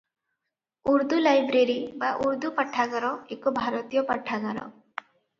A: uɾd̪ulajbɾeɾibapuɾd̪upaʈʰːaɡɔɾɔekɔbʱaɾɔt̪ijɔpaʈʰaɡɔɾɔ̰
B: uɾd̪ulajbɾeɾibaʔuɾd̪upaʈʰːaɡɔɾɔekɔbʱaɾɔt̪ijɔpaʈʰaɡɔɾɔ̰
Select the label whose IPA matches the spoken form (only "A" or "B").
B